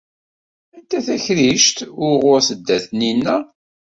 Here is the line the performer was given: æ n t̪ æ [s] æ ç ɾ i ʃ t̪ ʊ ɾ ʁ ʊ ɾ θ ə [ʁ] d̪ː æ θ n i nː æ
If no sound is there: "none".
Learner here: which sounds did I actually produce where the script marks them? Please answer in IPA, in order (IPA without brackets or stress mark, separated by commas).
θ, none